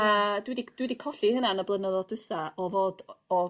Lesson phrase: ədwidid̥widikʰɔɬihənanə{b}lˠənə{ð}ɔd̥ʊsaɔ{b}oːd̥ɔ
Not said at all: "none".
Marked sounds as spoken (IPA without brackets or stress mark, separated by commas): b, ð, v